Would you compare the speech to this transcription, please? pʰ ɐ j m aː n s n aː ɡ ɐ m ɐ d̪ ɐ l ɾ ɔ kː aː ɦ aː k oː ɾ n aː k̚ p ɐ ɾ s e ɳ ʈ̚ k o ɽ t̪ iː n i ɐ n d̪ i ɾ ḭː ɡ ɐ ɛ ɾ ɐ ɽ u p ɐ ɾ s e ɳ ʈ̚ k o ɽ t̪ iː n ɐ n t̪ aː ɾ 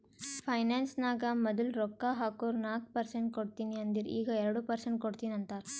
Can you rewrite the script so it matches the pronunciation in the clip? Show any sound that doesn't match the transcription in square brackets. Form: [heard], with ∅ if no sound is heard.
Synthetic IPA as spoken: pʰ ɐ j [n] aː n s n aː ɡ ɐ m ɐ d̪ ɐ l ɾ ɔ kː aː ɦ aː k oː ɾ n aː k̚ p ɐ ɾ s e ɳ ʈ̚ k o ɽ t̪ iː n i ɐ n d̪ i ɾ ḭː ɡ ɐ ɛ ɾ ɐ ɽ u p ɐ ɾ s e ɳ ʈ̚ k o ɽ t̪ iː n ɐ n t̪ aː ɾ